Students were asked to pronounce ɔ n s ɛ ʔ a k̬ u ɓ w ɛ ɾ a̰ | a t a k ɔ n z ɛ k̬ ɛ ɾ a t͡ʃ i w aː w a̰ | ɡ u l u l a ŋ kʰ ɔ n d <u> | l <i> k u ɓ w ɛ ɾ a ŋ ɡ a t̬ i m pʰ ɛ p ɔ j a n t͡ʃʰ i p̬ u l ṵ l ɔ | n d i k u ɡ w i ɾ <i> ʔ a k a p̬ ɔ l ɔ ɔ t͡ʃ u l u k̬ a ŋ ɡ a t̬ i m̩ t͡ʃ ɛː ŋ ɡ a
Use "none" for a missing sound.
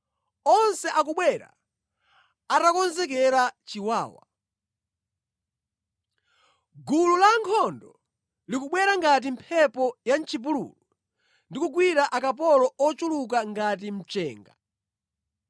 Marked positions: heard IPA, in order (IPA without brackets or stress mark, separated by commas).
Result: ɔ, i, a